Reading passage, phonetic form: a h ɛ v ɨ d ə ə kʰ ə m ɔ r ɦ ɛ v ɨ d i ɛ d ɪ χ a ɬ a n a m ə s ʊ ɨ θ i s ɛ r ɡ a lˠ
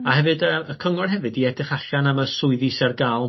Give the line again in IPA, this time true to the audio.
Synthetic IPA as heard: a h ɛ v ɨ d ə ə kʰ ə ŋ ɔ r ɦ ɛ v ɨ d i ɛ d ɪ χ a ɬ a n a m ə s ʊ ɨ ð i s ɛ r ɡ a lˠ